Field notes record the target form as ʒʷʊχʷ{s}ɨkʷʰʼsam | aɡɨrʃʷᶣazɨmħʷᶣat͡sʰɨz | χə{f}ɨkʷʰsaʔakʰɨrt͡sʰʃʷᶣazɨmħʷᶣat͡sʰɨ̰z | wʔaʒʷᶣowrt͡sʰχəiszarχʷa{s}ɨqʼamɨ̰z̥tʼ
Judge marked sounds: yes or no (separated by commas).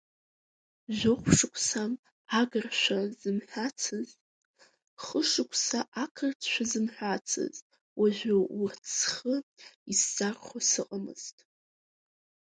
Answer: no, no, yes